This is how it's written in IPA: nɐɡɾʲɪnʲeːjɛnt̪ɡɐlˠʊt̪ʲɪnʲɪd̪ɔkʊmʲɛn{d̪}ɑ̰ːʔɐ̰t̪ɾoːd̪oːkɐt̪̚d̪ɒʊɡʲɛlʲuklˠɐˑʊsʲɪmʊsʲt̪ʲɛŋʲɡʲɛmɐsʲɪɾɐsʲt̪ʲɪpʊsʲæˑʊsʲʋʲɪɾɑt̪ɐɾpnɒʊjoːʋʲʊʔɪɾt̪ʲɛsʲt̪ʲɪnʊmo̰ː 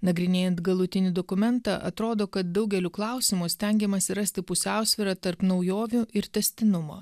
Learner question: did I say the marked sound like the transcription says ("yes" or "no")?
no